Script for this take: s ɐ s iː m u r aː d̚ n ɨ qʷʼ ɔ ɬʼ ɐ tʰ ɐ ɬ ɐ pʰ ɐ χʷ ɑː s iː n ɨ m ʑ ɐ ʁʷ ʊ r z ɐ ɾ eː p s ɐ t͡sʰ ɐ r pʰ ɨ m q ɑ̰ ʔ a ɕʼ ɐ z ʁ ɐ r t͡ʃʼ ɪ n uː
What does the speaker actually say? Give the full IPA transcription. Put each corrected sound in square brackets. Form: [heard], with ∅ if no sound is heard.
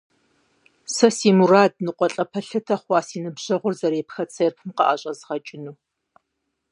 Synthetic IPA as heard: s ɐ s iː m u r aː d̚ n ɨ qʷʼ ɔ ɬʼ ɐ [pʰ] ɐ ɬ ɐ [tʰ] ɐ χʷ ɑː s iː n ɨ [b] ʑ ɐ ʁʷ ʊ r z ɐ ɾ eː p [x] ɐ t͡sʰ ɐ r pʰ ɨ m q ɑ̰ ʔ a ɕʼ ɐ z ʁ ɐ [∅] t͡ʃʼ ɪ n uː